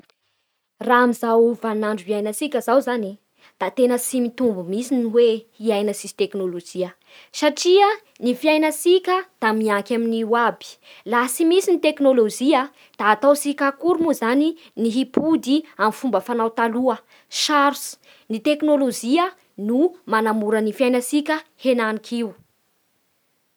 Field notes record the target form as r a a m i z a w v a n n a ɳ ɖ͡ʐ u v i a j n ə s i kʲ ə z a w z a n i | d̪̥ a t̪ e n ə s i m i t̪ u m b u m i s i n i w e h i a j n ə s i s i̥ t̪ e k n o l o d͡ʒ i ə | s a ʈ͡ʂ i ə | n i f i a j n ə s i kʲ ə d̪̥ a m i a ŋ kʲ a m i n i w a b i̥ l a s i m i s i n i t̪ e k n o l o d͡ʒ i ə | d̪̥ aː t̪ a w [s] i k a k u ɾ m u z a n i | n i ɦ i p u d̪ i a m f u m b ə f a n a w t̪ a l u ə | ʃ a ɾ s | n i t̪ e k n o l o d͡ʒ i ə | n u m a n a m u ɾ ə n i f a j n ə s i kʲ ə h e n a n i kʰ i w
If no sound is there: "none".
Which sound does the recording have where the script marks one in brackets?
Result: s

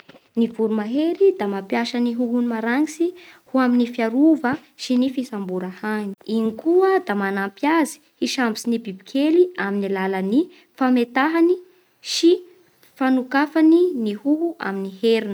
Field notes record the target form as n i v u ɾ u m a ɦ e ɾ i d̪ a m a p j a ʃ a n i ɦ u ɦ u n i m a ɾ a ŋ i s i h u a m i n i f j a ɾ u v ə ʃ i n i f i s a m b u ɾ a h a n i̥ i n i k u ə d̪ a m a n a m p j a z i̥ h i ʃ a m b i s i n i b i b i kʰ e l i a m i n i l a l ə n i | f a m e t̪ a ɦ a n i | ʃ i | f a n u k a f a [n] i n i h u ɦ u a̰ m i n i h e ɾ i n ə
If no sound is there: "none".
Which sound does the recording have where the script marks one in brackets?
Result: n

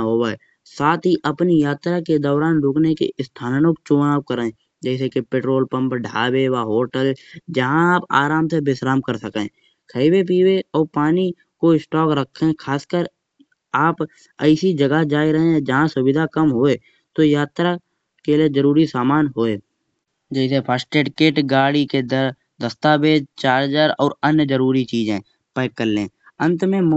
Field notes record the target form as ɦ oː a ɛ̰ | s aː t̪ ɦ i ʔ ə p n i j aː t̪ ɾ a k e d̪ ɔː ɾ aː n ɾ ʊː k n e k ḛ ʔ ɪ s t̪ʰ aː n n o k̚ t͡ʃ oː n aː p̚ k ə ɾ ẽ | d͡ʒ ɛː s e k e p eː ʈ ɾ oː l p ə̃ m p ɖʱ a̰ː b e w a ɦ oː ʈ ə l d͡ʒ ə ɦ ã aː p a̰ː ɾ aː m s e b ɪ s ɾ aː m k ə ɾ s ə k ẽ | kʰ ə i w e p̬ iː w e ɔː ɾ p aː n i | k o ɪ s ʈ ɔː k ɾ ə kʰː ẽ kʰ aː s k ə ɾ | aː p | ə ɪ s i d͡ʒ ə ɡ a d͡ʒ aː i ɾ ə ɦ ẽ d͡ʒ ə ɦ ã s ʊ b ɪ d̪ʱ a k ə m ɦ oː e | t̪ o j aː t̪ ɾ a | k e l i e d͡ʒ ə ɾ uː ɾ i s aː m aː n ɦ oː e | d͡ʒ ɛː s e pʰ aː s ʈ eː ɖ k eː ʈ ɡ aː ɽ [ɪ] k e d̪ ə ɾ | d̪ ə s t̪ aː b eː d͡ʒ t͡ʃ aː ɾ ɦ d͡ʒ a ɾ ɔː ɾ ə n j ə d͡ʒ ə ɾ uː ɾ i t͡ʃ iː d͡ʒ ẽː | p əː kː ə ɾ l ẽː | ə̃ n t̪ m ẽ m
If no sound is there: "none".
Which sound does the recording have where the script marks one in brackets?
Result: i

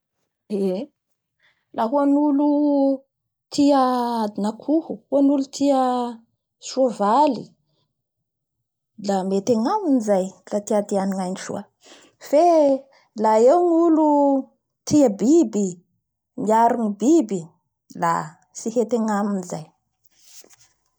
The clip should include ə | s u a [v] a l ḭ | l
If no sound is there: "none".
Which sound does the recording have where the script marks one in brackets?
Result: v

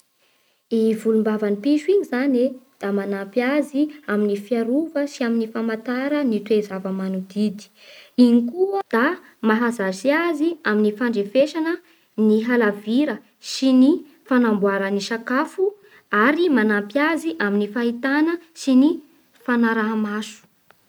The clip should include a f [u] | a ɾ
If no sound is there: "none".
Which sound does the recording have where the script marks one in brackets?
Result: u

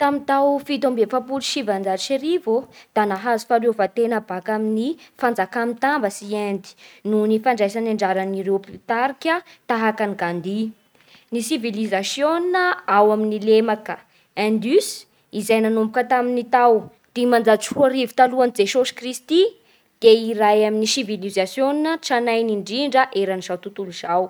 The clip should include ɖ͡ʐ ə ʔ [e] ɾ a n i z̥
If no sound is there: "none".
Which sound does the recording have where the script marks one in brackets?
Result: e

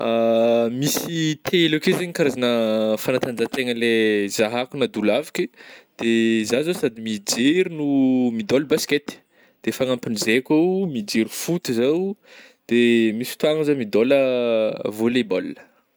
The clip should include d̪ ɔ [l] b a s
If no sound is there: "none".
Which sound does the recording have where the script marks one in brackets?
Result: l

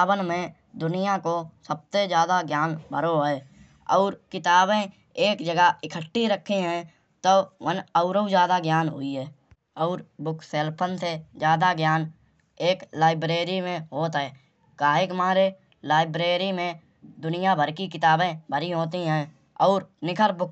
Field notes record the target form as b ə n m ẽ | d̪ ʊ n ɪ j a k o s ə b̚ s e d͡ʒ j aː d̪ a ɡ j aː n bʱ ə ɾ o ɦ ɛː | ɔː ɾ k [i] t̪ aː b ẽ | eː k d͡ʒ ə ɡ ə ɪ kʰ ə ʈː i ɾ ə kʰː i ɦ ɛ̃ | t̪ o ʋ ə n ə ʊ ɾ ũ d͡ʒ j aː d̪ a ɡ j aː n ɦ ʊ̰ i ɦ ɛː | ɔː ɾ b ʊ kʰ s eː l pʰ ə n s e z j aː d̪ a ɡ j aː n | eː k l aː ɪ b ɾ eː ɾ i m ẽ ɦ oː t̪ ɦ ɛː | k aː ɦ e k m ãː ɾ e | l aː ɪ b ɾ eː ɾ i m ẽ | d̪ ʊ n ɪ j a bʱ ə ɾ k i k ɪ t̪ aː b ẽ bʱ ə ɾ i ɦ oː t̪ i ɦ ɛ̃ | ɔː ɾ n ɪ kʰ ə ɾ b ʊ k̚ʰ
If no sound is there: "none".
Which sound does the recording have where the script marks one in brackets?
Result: ɪ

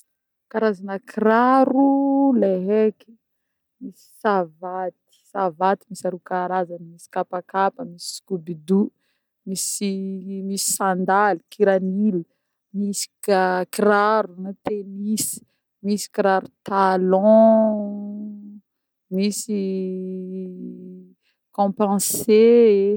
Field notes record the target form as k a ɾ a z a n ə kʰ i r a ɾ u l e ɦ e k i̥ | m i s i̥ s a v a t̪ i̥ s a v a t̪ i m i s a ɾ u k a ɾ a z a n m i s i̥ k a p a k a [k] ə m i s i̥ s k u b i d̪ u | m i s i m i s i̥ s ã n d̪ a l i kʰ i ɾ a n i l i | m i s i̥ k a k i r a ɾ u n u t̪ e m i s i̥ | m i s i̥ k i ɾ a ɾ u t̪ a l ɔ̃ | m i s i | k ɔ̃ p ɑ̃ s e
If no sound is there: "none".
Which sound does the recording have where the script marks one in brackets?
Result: p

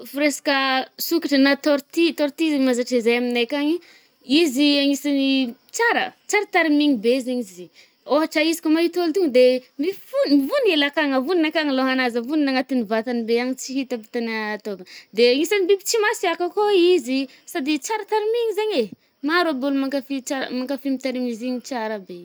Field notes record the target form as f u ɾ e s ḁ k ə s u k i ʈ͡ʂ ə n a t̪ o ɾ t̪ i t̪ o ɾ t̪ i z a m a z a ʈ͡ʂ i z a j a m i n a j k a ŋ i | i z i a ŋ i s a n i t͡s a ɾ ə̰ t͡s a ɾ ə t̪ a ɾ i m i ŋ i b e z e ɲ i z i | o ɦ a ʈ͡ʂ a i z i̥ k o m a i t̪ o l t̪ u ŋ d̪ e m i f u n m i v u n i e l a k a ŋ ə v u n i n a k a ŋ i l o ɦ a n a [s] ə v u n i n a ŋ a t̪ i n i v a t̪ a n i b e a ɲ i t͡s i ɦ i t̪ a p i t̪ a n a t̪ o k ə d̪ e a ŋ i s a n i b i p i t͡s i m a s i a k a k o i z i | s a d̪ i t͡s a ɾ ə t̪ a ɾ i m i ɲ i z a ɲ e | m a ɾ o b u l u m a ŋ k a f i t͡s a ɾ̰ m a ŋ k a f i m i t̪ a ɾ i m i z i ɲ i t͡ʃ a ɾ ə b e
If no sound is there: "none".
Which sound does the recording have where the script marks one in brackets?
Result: z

